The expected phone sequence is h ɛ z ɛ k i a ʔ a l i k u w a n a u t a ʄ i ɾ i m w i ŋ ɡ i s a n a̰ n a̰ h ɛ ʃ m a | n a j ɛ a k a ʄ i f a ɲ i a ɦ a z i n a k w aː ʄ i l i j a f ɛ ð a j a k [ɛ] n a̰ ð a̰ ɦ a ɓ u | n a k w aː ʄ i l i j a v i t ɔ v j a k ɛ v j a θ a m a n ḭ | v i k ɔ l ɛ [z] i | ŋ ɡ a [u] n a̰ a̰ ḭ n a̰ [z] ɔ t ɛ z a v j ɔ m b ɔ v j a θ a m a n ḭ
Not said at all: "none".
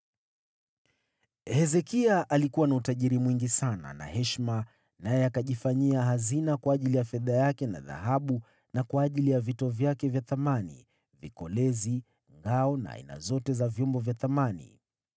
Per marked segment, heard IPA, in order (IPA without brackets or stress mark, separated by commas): ɛ, z, ɔ, z